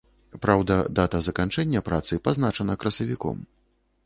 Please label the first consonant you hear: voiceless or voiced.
voiceless